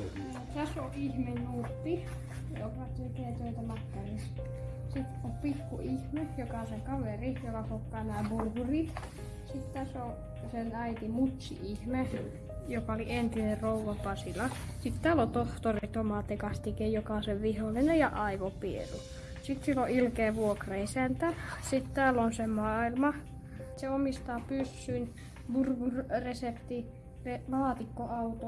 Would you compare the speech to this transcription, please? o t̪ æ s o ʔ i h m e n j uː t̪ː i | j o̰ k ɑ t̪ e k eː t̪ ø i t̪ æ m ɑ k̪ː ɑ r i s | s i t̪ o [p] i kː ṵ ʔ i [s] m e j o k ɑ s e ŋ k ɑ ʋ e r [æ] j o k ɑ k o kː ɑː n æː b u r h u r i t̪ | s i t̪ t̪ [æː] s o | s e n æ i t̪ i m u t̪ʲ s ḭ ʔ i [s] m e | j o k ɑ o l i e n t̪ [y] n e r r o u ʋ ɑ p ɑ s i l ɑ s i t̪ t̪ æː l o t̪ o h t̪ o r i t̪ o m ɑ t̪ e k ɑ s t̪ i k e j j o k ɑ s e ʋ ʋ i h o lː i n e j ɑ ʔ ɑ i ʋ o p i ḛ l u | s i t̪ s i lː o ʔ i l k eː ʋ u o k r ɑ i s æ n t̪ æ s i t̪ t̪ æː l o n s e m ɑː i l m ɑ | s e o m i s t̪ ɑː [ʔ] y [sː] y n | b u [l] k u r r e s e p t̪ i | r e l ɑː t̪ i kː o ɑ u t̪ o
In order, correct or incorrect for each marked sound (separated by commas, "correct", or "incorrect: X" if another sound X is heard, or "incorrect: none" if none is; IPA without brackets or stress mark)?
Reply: correct, incorrect: h, incorrect: i, incorrect: æ, incorrect: h, incorrect: i, incorrect: p, correct, incorrect: r